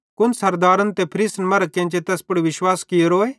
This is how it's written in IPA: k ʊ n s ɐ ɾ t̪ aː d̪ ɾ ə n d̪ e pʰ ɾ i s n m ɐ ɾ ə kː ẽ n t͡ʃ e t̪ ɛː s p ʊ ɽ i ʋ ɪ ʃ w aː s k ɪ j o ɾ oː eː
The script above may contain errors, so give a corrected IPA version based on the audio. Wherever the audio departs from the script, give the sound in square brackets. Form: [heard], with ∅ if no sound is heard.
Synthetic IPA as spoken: k ʊ n s ɐ ɾ [d̪] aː [∅] ɾ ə n [t̪] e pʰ ɾ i s n m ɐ ɾ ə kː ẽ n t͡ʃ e t̪ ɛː s p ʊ ɽ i ʋ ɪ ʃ w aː s k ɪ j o ɾ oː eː